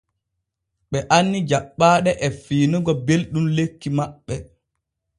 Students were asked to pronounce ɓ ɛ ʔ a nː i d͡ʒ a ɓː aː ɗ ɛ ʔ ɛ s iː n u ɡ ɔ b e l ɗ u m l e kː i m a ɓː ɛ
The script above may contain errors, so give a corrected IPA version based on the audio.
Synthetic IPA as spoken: ɓ ɛ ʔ a nː i d͡ʒ a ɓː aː ɗ ɛ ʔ ɛ f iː n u ɡ ɔ b e l ɗ u m l e kː i m a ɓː ɛ